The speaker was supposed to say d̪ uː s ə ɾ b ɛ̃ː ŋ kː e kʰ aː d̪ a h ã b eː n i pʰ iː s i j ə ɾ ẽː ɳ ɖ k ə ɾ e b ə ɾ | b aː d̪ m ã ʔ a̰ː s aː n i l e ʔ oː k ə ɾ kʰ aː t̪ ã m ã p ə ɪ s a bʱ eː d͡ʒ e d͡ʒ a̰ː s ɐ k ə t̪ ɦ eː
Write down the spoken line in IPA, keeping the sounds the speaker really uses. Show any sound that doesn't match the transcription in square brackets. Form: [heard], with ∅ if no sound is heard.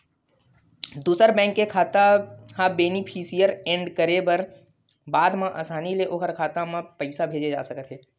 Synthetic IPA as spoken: d̪ uː s ə ɾ b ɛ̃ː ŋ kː e kʰ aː [t̪] a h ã b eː n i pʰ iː s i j ə ɾ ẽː ɳ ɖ k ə ɾ e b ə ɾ | b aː d̪ m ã ʔ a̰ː s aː n i l e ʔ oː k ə ɾ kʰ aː t̪ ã m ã p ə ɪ s a bʱ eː d͡ʒ e d͡ʒ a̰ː s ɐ k ə t̪ ɦ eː